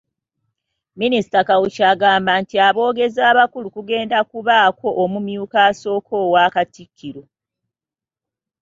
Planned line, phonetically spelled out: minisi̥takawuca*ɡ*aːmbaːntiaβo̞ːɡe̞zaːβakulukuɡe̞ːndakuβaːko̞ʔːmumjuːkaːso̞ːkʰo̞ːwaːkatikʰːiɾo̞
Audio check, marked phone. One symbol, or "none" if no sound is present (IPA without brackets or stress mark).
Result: ɡ